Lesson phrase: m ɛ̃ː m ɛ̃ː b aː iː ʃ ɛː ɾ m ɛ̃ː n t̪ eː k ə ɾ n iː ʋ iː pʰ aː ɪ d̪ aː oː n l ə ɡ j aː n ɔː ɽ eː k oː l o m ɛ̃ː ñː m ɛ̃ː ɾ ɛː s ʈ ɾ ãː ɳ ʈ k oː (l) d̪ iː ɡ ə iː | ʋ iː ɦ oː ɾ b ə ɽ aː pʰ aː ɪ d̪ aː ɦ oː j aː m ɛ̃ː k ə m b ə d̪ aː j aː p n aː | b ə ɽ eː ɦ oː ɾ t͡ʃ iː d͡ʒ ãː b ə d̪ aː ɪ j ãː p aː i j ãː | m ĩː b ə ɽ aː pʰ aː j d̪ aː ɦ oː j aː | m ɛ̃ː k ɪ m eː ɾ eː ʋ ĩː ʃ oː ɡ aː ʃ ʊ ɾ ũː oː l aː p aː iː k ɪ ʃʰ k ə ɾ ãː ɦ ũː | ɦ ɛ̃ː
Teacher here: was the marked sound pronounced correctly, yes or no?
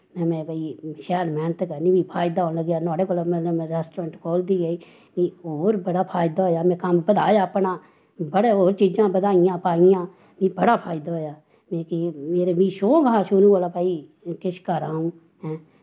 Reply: yes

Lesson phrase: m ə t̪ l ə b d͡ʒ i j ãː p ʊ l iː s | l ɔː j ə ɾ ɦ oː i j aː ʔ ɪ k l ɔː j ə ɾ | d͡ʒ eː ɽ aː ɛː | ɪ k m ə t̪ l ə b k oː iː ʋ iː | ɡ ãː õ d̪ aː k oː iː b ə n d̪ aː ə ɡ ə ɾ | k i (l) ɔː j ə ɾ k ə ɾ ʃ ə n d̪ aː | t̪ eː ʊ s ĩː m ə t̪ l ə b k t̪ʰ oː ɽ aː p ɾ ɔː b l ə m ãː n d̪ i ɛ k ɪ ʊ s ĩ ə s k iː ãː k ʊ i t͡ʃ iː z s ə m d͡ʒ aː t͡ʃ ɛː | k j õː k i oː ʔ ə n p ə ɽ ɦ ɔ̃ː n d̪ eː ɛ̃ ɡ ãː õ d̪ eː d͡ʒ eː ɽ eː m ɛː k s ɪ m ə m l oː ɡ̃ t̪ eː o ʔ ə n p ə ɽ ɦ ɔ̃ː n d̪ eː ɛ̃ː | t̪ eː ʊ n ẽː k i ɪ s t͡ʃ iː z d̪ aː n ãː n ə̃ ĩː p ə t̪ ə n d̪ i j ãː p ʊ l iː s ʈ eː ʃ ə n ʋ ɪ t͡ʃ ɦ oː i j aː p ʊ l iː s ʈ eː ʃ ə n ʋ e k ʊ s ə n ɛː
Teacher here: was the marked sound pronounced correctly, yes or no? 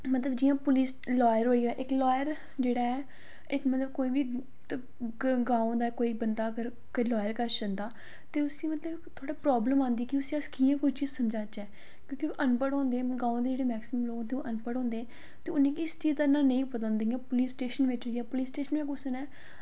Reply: yes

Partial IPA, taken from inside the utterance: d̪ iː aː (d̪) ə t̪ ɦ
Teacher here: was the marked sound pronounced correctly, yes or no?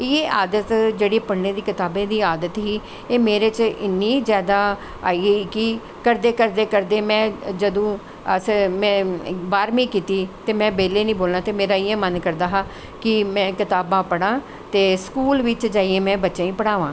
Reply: yes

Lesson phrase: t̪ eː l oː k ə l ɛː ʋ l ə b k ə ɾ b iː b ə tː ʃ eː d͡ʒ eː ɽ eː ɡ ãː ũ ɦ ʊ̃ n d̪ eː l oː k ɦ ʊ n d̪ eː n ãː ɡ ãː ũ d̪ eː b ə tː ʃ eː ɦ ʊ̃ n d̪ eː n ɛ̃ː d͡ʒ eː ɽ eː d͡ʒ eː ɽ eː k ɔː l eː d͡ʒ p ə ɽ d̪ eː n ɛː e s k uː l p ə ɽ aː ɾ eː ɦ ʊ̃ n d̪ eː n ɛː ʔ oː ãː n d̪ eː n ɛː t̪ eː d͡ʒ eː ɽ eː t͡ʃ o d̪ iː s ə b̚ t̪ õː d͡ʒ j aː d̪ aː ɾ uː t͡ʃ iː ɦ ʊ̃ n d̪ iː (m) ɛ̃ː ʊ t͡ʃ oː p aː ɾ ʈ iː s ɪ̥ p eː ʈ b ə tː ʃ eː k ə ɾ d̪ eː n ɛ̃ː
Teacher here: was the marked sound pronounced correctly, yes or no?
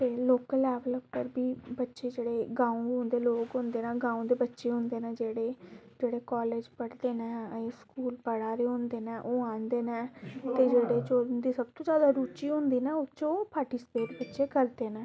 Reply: no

